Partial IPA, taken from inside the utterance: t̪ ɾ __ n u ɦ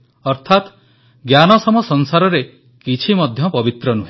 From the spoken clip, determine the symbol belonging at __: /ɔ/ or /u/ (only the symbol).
ɔ